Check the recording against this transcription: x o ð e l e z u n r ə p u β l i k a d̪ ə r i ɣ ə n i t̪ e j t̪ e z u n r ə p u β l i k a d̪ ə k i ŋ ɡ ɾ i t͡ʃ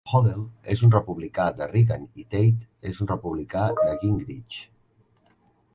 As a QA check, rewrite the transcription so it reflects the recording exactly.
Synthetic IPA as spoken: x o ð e l e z u n r ə p u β l i k a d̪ ə r i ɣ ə n i t̪ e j t̪ e z u n r ə p u β l i k a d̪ ə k i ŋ ɡ ɾ i t͡ʃ